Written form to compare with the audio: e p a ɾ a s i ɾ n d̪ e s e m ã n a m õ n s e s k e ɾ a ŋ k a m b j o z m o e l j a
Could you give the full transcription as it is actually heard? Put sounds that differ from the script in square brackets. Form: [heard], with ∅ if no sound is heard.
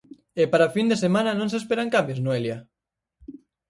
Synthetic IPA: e p a ɾ a [f] i [∅] n d̪ e s e m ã n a [n] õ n s e s [p] e ɾ a ŋ k a m b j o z [n] o e l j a